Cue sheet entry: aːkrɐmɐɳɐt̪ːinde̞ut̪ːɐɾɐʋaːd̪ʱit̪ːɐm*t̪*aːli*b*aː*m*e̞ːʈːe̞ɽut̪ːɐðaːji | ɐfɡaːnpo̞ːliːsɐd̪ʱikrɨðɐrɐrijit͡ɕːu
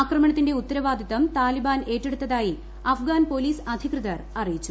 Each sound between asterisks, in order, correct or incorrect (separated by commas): correct, correct, incorrect